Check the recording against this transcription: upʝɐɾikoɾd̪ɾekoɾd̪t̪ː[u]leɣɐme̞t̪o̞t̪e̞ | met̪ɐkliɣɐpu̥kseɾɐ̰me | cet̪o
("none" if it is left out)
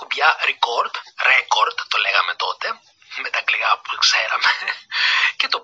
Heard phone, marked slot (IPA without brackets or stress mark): o